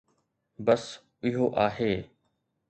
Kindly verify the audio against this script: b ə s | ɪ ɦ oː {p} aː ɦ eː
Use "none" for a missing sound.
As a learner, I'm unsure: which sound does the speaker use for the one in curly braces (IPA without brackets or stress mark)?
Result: ʔ